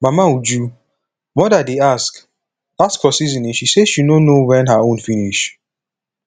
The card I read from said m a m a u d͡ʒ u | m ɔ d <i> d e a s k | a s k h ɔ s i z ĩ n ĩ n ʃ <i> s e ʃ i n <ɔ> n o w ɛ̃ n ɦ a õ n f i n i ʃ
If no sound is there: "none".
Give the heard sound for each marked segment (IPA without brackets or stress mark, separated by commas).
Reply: a, i, o